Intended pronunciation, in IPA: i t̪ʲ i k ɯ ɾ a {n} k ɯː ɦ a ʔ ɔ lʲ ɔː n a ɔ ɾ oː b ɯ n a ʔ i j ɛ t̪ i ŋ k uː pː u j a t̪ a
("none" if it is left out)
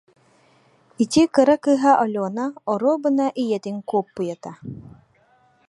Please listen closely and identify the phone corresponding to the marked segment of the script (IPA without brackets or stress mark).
none